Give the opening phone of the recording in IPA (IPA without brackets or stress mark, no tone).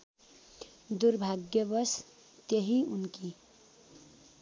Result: d̪